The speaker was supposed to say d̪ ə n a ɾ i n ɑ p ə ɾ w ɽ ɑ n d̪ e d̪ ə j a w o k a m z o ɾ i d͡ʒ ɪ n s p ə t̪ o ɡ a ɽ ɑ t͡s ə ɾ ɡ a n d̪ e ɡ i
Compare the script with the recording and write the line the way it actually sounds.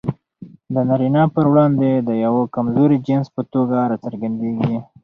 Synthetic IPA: d̪ ə n a ɾ i n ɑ p ə ɾ w ɽ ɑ n d̪ e d̪ ə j a w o k a m z o ɾ i d͡ʒ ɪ n s p ə t̪ o ɡ a ɾ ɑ t͡s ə ɾ ɡ a n d̪ e ɡ i